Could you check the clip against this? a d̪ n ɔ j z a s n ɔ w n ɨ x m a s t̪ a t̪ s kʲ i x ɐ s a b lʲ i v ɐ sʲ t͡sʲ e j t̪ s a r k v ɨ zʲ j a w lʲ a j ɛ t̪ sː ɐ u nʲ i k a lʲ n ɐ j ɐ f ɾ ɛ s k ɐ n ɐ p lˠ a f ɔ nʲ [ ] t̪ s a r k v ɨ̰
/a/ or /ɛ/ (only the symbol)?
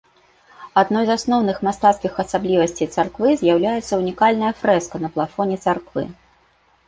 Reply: ɛ